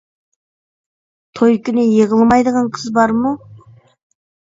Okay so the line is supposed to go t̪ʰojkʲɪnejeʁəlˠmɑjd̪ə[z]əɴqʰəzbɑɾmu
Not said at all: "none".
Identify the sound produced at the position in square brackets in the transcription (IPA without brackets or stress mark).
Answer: ʁ